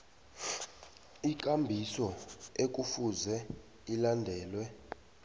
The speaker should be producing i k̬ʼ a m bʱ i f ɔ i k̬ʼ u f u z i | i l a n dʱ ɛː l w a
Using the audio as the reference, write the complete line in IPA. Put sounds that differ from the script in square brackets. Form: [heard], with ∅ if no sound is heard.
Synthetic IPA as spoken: i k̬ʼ a m bʱ i [s] ɔ [e] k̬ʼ u f u z [ɛ] | i l a n dʱ ɛː l w [ɛ]